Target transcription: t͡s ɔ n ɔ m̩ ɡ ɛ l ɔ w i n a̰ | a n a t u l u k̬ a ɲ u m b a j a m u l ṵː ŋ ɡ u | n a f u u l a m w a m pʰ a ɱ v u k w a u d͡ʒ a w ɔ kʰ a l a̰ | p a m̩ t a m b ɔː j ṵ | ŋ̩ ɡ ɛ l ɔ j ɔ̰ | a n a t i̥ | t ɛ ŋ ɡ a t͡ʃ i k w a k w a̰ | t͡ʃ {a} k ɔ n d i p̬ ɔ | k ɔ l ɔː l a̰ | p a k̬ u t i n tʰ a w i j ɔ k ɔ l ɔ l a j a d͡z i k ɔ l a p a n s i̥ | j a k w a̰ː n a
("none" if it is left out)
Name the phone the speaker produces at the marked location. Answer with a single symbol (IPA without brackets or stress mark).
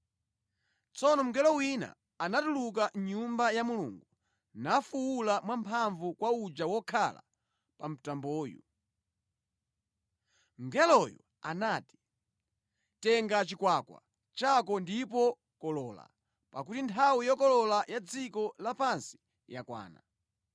a